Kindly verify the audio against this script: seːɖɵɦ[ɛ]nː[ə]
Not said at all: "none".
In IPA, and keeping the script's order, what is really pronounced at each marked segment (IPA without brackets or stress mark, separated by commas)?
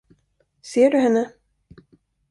ɛ, ə